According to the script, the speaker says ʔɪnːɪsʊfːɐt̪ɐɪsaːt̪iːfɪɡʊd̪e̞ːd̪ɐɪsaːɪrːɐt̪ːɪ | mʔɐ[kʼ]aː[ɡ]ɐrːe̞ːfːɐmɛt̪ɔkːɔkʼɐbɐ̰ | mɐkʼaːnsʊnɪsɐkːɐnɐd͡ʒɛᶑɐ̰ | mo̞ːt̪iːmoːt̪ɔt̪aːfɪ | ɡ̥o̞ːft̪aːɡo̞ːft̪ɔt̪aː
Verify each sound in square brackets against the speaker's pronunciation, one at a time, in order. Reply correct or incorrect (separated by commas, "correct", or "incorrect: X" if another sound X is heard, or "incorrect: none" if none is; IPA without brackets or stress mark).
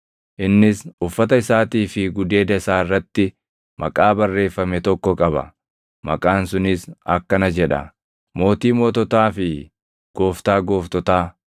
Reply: correct, incorrect: b